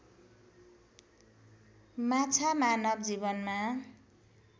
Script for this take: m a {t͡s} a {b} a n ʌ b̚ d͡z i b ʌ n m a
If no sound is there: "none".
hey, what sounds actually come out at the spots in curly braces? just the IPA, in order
t͡sʰ, m

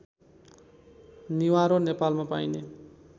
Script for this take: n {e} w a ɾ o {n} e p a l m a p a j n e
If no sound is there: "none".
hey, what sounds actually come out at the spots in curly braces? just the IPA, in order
i, n

